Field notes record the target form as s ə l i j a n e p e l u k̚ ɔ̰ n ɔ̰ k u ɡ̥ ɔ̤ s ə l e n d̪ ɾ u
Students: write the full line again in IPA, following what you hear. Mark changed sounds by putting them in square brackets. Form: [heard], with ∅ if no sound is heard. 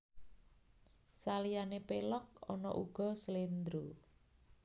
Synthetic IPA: s [a] l i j a n e p e l [ɔ] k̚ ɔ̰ n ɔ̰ [ʔ] u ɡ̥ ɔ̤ s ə l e n d̪ ɾ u